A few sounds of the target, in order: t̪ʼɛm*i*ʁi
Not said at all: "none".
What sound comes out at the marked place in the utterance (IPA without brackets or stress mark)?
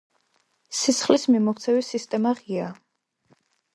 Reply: a